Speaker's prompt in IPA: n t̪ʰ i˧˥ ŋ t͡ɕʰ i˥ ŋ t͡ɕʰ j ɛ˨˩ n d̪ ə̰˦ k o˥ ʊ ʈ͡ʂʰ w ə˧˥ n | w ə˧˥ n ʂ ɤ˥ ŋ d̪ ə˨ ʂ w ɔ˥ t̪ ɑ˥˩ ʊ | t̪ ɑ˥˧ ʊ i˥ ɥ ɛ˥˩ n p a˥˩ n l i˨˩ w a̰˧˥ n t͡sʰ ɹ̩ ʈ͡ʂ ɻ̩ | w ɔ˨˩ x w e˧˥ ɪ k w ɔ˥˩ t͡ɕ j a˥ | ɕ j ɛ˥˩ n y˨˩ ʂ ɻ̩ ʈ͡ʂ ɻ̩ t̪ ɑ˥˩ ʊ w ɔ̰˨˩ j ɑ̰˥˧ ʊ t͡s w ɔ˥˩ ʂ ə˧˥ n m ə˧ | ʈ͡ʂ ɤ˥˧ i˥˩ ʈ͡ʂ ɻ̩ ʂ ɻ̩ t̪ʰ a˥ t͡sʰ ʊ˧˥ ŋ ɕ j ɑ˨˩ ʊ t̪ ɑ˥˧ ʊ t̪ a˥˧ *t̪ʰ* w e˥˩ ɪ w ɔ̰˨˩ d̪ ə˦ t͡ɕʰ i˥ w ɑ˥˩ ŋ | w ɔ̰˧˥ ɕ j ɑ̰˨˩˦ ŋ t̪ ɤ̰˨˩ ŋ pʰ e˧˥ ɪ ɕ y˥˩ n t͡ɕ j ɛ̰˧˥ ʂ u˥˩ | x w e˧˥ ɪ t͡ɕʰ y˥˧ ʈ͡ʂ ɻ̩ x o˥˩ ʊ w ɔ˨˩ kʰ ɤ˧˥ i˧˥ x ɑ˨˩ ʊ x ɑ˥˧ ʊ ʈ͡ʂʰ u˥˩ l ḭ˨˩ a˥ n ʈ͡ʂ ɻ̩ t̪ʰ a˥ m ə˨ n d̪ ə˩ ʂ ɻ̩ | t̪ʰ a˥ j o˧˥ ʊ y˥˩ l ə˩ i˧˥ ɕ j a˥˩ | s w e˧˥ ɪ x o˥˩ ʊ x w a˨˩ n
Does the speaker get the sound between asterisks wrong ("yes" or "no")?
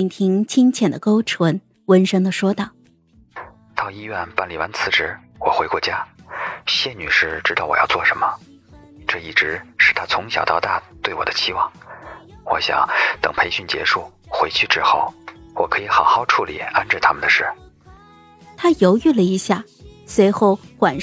yes